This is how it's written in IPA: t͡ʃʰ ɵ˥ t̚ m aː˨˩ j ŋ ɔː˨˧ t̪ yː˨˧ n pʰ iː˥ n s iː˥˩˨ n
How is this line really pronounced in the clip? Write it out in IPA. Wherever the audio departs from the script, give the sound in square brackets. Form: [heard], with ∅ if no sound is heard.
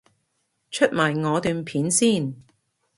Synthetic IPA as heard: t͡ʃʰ ɵ˥ t̚ m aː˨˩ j ŋ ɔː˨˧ t̪ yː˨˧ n pʰ [iː˨˥] n s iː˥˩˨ n